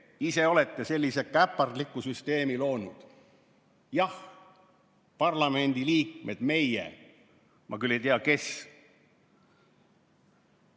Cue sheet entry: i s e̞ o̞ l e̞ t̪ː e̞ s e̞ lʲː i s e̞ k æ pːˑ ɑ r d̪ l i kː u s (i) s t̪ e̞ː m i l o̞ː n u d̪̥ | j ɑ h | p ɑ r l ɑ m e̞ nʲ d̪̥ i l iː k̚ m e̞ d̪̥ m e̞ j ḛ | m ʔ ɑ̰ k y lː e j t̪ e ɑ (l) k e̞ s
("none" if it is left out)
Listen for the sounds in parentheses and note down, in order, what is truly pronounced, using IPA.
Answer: y, none

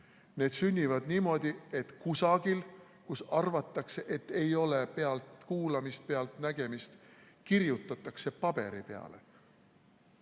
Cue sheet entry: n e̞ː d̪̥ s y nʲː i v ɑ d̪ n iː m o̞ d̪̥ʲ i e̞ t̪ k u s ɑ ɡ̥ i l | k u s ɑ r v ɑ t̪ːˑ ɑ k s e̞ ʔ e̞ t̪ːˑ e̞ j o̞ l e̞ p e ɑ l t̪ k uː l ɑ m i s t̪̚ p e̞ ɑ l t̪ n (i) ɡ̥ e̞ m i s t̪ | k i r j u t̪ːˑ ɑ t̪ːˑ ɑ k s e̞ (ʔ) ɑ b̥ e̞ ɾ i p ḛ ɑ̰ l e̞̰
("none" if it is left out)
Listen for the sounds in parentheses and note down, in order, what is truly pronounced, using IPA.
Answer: æ, p

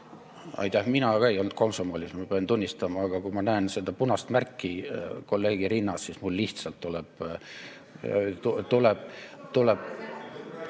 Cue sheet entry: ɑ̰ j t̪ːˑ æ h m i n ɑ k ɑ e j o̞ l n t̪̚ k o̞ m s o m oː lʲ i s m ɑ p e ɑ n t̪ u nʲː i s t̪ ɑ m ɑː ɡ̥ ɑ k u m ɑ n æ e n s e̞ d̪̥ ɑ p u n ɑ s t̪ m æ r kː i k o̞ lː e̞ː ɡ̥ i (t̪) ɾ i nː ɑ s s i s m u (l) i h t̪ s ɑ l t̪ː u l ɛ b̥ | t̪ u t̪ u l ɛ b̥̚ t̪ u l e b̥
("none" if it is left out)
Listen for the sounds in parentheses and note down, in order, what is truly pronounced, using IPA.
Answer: none, lː

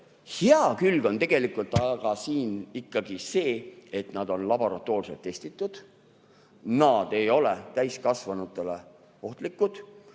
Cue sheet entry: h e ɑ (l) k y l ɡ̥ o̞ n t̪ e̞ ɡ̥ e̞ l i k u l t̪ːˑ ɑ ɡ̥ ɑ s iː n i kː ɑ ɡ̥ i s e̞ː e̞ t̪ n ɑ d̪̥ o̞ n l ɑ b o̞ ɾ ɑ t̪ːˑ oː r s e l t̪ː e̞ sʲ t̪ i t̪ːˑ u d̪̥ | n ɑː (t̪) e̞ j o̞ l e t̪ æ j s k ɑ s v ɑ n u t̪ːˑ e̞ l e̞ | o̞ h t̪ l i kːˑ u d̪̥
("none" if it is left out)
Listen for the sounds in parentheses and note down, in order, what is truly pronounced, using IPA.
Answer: none, d̪

